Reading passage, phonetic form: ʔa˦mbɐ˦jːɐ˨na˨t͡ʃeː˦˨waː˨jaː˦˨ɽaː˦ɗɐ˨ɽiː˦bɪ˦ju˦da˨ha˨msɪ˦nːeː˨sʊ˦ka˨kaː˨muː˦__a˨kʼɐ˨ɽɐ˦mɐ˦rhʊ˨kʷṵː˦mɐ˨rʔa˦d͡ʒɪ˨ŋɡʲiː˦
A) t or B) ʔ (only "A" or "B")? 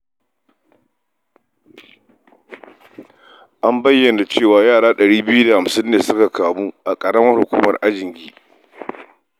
B